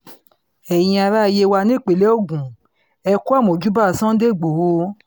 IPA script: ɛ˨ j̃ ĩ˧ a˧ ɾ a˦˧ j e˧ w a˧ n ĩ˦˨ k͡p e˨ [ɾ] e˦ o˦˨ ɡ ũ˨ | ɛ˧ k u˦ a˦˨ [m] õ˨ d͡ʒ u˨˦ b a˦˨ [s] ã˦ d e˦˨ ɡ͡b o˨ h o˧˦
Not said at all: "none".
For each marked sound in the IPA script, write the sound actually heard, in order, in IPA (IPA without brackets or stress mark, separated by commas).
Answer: l, m, s